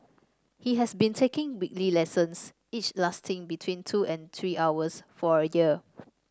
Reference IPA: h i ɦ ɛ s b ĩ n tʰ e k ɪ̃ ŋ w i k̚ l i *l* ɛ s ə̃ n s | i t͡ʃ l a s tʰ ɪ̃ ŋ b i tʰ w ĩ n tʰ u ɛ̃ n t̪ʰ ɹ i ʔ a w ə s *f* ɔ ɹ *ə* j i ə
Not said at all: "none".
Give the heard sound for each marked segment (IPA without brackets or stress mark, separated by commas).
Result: l, f, ə